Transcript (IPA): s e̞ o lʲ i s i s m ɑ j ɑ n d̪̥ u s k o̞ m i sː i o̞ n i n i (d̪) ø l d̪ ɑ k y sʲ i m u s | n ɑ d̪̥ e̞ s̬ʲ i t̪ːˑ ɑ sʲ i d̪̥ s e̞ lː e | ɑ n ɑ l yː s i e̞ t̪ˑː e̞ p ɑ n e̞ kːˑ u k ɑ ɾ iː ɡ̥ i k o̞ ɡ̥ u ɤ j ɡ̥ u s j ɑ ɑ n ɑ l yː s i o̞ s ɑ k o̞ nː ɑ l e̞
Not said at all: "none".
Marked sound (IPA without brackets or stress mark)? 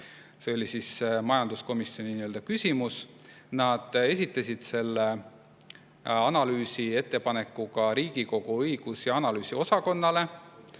none